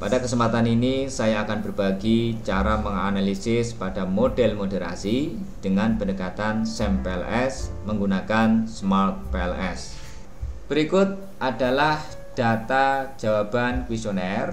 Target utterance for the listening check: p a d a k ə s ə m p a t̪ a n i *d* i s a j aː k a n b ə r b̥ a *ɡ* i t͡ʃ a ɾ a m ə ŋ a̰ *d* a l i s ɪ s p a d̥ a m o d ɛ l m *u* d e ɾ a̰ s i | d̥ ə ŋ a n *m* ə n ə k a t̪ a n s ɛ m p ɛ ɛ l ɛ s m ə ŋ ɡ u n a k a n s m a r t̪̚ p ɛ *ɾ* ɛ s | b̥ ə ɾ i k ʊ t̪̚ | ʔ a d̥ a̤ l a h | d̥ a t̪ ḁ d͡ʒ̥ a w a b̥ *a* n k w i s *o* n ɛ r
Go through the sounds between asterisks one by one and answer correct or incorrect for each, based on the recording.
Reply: incorrect: n, correct, incorrect: n, incorrect: o, incorrect: b, incorrect: l, correct, correct

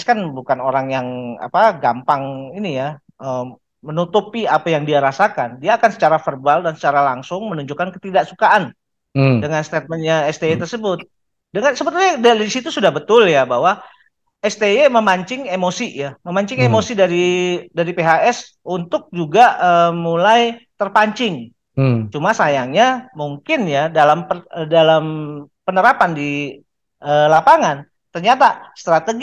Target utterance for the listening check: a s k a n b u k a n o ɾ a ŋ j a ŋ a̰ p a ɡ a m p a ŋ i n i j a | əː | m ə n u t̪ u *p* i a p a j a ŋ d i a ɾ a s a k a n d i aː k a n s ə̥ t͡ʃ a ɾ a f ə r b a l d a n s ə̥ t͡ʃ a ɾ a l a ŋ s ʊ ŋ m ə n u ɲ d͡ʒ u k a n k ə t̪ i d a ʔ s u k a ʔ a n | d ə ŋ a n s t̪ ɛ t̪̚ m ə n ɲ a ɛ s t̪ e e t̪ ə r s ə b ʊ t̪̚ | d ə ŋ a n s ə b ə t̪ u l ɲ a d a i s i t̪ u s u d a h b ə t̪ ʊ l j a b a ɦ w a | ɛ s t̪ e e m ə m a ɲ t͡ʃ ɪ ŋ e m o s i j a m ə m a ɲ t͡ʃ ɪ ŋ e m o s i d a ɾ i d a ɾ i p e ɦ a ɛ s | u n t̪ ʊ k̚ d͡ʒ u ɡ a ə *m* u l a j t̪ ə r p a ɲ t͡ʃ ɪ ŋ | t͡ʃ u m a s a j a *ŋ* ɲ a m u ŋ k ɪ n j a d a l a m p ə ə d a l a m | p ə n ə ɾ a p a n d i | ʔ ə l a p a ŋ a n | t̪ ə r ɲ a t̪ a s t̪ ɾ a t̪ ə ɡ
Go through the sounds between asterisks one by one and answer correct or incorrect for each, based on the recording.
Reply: correct, correct, correct

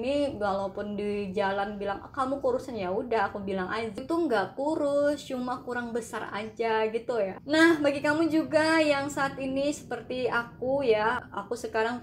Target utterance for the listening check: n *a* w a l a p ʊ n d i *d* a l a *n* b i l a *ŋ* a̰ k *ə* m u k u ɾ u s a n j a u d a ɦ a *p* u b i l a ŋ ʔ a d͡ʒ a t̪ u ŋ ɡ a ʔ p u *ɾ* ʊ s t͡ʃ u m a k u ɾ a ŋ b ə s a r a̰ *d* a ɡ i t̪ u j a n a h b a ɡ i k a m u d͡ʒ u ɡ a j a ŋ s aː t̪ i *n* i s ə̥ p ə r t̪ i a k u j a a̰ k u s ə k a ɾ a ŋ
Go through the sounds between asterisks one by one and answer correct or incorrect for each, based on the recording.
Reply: incorrect: i, incorrect: d͡ʒ, correct, correct, incorrect: a, incorrect: k, correct, incorrect: d͡ʒ, correct

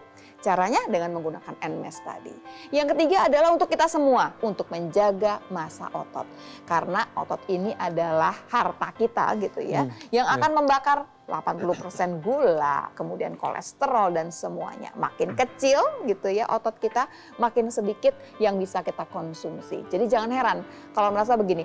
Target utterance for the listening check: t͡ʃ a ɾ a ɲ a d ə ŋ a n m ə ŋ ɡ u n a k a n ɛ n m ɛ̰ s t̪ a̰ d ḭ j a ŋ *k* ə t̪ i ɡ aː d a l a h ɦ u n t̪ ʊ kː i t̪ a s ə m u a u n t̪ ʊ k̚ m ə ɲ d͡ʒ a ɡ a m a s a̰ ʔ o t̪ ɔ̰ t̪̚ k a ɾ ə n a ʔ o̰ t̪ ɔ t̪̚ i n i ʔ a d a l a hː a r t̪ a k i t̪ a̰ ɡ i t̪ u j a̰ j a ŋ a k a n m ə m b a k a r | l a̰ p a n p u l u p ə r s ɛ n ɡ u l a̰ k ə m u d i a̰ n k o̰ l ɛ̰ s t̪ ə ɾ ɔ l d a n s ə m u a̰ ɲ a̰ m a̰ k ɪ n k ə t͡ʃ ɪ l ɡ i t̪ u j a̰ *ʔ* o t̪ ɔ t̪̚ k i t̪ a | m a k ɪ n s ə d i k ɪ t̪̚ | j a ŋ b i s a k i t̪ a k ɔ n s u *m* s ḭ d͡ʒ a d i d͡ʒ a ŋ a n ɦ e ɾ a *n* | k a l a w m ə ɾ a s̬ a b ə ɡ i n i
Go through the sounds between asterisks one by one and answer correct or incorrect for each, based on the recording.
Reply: correct, correct, correct, correct

